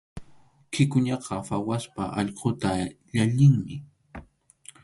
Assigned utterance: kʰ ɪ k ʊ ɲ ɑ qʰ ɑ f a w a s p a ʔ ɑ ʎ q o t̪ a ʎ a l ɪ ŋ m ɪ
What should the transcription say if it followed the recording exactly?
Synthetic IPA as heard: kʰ ɪ k ʊ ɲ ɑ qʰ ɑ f a w a s p a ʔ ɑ ʎ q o t̪ a ʎ a ʎ ɪ ŋ m ɪ